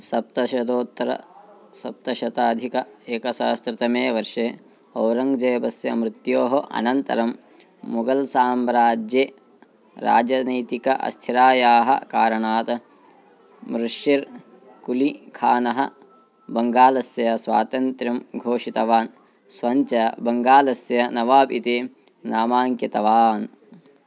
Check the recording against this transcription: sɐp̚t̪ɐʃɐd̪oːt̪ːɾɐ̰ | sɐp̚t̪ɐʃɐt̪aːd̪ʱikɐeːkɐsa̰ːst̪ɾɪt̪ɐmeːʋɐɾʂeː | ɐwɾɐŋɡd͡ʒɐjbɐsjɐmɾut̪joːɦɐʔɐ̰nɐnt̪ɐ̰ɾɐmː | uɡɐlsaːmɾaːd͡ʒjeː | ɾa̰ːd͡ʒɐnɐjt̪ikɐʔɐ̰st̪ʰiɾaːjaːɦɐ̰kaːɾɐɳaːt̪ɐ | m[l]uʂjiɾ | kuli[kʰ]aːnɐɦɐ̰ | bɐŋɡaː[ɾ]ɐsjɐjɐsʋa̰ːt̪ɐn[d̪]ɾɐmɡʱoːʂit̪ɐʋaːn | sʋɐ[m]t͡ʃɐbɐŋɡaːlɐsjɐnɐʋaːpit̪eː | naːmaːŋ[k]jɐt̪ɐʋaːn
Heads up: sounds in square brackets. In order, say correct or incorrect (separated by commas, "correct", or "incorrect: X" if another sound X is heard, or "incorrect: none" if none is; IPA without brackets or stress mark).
incorrect: ɾ, correct, incorrect: l, incorrect: t̪, incorrect: ɲ, correct